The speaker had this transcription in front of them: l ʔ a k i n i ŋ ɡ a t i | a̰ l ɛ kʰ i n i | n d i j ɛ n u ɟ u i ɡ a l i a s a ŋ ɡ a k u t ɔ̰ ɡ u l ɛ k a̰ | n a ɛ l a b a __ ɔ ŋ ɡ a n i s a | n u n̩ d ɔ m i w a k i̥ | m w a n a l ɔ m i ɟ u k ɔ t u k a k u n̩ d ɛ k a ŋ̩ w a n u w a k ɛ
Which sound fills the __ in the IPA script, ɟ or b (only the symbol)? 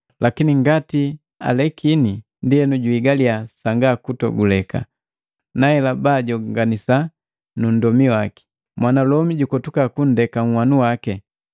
ɟ